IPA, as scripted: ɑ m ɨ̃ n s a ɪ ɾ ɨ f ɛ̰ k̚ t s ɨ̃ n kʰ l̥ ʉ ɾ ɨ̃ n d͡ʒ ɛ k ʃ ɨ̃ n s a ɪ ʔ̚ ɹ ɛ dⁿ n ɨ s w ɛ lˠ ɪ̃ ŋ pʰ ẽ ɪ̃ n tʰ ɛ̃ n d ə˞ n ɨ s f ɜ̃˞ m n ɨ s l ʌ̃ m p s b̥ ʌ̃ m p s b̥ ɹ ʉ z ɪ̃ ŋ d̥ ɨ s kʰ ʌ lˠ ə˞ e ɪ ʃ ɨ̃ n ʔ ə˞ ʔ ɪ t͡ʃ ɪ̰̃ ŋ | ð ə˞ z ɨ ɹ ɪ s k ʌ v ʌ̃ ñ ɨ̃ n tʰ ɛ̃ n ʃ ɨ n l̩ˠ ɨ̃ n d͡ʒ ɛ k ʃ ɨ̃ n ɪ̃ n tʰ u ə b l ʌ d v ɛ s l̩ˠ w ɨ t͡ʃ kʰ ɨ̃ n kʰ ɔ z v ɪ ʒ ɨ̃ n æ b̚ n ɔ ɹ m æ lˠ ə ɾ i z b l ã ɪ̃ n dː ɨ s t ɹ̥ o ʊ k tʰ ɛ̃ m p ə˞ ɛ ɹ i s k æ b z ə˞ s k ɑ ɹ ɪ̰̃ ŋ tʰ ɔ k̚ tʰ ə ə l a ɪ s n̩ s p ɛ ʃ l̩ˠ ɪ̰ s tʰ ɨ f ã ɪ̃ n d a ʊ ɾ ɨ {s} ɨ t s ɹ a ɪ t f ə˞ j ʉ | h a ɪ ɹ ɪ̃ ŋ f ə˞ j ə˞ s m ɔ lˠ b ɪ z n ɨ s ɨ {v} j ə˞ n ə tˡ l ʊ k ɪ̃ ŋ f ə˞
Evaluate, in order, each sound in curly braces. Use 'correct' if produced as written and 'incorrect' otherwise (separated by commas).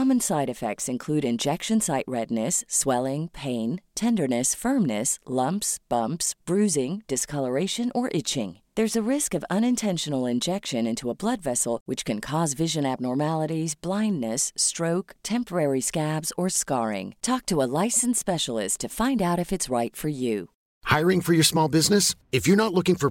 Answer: incorrect, incorrect